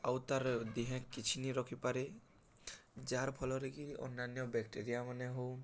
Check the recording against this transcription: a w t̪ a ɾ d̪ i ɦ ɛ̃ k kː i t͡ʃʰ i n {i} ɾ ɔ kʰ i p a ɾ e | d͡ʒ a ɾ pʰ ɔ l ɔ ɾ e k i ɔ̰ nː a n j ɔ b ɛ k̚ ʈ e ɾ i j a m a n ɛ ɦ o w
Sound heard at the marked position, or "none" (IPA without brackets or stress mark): i